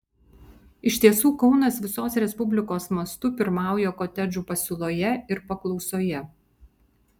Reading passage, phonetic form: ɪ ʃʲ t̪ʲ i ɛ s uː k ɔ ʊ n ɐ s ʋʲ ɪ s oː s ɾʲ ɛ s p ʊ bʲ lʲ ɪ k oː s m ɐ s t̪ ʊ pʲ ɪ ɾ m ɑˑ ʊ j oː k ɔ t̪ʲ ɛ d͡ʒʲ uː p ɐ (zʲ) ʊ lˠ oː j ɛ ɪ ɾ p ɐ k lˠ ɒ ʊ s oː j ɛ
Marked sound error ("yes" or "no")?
yes